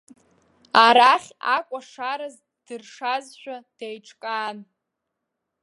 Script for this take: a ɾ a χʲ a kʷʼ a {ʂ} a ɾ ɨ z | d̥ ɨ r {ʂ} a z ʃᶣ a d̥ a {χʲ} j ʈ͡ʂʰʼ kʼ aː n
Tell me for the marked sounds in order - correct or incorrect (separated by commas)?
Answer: correct, correct, incorrect